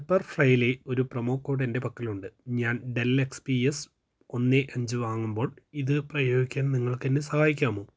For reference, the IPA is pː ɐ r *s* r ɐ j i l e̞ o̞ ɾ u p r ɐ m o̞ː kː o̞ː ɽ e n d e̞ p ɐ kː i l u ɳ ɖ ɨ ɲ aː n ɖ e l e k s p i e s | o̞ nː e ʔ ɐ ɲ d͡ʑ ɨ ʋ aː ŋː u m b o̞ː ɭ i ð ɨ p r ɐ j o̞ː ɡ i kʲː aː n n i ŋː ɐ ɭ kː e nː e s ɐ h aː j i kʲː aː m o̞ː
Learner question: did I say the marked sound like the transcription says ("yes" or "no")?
no